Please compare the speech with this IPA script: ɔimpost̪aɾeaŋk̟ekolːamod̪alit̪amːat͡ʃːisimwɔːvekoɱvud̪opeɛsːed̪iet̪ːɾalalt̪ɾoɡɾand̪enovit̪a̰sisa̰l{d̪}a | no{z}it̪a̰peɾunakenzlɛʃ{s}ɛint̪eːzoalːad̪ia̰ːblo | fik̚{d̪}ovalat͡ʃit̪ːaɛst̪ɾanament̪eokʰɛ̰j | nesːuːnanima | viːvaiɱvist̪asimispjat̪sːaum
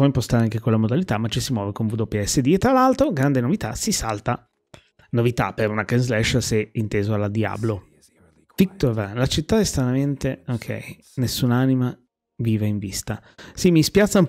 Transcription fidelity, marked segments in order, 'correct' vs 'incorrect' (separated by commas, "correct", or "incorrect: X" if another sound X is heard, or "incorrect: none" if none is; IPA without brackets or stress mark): incorrect: t̪, incorrect: v, correct, incorrect: t̪